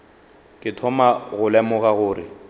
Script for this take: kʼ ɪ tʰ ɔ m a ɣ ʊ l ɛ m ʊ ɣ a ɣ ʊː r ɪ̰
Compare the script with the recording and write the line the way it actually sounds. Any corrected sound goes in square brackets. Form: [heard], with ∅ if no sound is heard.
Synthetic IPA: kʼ ɪ tʰ ɔ m a ɣ ʊ l ɛ m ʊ ɣ a ɣ ʊː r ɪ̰